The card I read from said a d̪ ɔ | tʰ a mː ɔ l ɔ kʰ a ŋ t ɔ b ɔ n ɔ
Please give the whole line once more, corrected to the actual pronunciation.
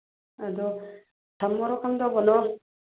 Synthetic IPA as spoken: a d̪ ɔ | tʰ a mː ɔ ɾ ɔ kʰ a ŋ d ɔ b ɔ n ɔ